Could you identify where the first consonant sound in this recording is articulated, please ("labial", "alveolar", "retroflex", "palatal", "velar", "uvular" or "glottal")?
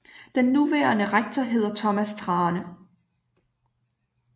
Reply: alveolar